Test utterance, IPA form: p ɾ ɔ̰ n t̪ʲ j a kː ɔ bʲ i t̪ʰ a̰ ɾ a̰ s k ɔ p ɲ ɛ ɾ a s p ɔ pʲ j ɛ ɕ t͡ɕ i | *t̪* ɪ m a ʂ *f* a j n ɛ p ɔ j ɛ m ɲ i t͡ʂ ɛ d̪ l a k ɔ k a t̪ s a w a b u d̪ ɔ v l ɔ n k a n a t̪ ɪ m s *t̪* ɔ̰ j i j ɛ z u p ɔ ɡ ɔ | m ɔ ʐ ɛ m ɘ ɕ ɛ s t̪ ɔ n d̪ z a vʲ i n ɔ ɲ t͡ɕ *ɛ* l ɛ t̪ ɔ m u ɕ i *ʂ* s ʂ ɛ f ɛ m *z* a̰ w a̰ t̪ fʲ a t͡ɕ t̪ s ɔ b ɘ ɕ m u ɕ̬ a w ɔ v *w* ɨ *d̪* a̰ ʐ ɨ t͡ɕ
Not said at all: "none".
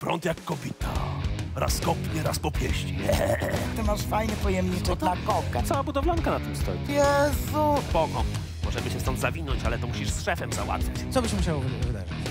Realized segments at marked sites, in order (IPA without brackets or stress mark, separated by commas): t̪, f, t̪, a, ʂ, z, v, d̪